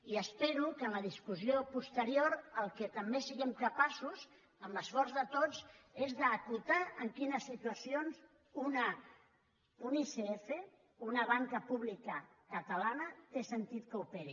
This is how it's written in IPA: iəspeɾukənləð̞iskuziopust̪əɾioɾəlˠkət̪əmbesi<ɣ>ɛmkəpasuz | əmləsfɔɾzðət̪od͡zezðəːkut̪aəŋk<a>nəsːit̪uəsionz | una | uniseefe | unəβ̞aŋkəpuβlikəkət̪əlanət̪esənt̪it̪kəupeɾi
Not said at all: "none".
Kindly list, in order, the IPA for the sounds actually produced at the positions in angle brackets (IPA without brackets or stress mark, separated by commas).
ɣ, i